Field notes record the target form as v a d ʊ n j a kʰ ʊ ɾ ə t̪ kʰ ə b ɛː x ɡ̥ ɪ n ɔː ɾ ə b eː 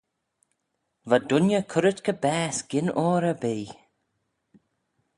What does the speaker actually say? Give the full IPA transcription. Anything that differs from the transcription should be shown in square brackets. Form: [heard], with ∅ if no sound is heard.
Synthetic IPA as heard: v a d ʊ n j [ə] kʰ ʊ ɾ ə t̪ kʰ ə b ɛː [s] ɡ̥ ɪ n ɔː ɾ ə b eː